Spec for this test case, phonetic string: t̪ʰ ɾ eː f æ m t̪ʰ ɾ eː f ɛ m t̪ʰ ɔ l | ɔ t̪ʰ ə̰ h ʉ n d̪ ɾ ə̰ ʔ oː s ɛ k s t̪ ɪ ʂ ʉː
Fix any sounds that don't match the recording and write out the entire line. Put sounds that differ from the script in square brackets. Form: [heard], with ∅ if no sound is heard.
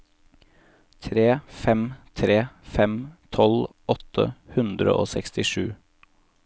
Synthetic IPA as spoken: t̪ʰ ɾ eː f [ɛ] m t̪ʰ ɾ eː f ɛ m t̪ʰ ɔ l | ɔ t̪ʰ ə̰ h ʉ n d̪ ɾ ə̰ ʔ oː s ɛ k s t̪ ɪ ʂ ʉː